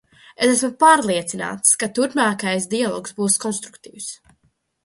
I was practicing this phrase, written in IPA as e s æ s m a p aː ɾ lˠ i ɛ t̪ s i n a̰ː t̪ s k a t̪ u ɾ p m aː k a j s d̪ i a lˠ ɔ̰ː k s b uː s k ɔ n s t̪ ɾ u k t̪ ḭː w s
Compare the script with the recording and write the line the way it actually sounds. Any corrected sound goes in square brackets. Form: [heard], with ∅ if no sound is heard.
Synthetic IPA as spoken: e s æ s m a p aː ɾ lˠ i ɛ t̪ s i n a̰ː t̪ s k a t̪ u ɾ p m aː k a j s d̪ i a lˠ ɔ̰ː k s b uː s k ɔ n s t̪ ɾ u k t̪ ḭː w s

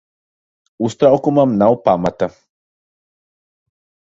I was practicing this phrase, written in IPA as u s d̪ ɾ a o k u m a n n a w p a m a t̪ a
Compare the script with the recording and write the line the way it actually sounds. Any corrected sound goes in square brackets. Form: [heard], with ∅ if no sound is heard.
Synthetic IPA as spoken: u s [t̪] ɾ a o k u m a [m] n a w p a m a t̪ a

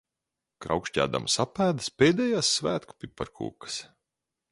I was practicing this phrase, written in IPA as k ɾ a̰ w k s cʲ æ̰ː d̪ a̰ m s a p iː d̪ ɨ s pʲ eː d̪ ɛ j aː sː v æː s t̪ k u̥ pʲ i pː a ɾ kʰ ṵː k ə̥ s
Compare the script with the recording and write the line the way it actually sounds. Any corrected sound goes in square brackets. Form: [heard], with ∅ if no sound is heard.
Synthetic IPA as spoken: k ɾ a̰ w k [ʃ] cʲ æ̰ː d̪ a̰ m s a p [æː] d̪ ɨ s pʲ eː d̪ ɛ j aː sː v æː [∅] t̪ k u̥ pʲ i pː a ɾ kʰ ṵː k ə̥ s

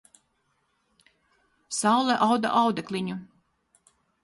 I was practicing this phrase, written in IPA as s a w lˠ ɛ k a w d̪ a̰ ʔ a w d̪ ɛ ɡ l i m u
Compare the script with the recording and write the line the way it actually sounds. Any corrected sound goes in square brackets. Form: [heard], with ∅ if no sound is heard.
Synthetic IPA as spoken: s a w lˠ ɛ [ʔ] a w d̪ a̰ ʔ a w d̪ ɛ [k] l i [ɲ] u

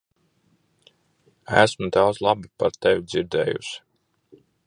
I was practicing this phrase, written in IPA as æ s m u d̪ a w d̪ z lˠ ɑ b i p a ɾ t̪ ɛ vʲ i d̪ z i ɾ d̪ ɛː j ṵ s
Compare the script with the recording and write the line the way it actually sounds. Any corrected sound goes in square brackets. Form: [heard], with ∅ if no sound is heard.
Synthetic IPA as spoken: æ s m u d̪ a w d̪ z lˠ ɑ b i p a ɾ t̪ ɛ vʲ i d̪ z i ɾ d̪ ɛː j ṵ s

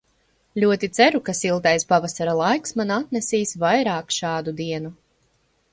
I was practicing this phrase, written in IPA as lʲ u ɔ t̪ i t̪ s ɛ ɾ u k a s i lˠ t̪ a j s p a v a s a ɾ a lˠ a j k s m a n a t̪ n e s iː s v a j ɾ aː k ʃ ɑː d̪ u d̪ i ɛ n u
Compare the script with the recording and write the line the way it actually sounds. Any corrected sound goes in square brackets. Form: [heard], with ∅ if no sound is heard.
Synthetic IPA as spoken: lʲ u ɔ t̪ i t̪ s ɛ ɾ u k a s i lˠ t̪ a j s p a v a s a ɾ a lˠ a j k s m a n a t̪ n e s iː s v a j ɾ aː k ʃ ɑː d̪ u d̪ i ɛ n u

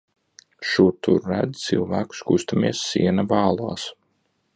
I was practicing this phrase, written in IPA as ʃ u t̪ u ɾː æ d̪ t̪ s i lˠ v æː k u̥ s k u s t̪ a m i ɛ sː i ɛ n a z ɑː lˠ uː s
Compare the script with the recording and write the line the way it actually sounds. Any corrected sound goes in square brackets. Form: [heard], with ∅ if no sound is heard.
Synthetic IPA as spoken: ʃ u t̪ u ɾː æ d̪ t̪ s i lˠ v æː k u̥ s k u s t̪ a m i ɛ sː i ɛ n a [v] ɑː lˠ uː s

